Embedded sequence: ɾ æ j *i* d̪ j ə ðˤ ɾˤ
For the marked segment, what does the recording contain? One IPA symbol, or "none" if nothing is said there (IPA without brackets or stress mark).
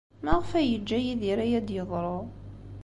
æ